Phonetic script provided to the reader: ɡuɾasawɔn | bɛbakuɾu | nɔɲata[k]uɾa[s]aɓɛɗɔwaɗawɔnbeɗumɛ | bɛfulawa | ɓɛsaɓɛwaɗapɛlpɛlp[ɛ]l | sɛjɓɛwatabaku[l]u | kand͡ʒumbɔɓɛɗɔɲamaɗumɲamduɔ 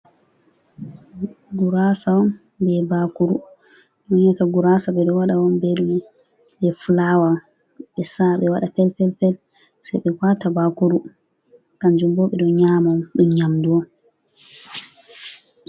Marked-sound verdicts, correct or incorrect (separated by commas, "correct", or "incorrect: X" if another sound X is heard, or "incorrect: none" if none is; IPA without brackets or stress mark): incorrect: ɡ, correct, correct, incorrect: ɾ